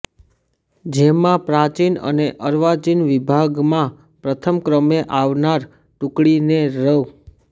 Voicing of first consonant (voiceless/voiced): voiced